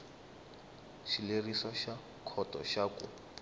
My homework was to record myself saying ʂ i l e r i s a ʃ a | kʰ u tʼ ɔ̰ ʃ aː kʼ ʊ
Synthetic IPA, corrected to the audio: ʃ i l e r i s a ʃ a | kʰ ɔ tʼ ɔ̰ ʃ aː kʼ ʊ

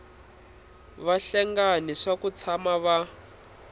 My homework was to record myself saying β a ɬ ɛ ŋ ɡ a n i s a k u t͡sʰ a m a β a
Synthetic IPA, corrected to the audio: β a ɬ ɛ ŋ ɡ a n i ʂ a k u t͡sʰ a m a β a

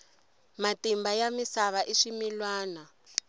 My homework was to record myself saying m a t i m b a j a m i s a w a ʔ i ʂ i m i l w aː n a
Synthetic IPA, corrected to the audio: m a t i m b a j a m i s a β a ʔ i ʂ i m i l w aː n a

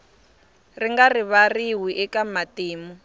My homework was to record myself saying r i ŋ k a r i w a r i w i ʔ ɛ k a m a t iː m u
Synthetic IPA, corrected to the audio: r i ŋ ɡ a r i β a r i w i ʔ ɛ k a m a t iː m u

